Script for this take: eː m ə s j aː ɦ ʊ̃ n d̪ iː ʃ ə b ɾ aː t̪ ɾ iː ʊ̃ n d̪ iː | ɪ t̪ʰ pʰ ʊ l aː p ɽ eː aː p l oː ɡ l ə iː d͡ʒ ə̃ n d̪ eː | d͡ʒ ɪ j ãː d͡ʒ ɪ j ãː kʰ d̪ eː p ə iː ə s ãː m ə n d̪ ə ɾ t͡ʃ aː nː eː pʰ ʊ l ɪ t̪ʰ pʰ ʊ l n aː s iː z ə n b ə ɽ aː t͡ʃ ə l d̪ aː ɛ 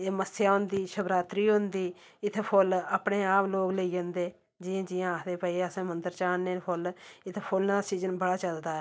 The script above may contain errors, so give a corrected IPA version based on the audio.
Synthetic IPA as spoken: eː m ə s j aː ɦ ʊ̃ n d̪ iː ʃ ə b ɾ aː t̪ ɾ iː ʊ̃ n d̪ iː | ɪ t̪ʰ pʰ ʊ l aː p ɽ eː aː p l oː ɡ l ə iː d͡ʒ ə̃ n d̪ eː | d͡ʒ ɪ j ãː d͡ʒ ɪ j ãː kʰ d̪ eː p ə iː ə s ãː m ə n d̪ ə ɾ t͡ʃ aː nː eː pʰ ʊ l ɪ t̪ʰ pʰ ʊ l n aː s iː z ə n b ə ɽ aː t͡ʃ ə l d̪ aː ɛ